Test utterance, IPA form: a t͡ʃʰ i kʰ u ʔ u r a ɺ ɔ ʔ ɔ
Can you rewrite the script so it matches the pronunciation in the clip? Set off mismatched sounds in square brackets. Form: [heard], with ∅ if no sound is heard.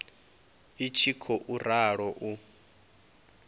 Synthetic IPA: [i] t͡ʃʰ i kʰ [ɔ] ʔ u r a ɺ ɔ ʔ [u]